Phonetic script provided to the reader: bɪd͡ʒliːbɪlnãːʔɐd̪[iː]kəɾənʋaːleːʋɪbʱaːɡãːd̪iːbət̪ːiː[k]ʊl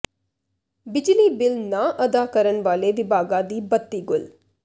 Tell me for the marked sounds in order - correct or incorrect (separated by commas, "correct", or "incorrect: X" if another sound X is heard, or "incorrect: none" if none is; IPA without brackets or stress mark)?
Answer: incorrect: aː, incorrect: ɡ